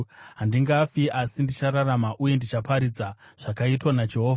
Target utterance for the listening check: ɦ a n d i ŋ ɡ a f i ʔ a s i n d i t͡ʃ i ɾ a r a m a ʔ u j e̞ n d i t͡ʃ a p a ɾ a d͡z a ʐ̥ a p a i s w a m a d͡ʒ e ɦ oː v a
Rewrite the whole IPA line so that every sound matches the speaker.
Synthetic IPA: ɦ a n d i ŋ ɡ a f i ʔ a s i n d i t͡ʃ a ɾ a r a m a ʔ u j e̞ n d i t͡ʃ a p a ɾ i d͡z a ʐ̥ a k a i t w a n a d͡ʒ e ɦ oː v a